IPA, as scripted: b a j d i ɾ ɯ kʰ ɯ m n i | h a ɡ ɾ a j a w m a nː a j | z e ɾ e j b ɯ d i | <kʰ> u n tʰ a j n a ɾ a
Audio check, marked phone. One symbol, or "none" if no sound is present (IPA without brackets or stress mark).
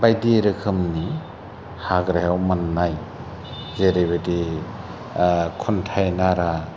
kʰ